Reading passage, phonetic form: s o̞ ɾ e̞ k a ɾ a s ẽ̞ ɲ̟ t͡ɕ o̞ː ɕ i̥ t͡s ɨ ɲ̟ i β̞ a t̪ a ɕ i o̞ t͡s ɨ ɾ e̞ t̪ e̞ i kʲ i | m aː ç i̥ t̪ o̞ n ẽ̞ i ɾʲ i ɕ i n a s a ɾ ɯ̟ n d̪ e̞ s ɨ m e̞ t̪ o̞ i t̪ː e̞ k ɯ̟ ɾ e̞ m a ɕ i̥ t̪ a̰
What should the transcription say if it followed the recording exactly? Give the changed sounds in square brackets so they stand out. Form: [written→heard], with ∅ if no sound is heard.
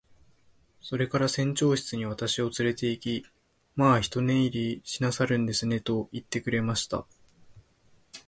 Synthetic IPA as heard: s o̞ ɾ e̞ k a ɾ a s ẽ̞ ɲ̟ t͡ɕ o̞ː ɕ i̥ t͡s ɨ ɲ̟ i β̞ a t̪ a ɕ i o̞ t͡s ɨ ɾ e̞ t̪ e̞ i kʲ i | m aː ç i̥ t̪ o̞ n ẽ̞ i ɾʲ i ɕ i n a s a ɾ [ɯ̟→ɯ̟̃] n d̪ e̞ s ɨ [m→n] e̞ t̪ o̞ i t̪ː e̞ k ɯ̟ ɾ e̞ m a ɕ i̥ t̪ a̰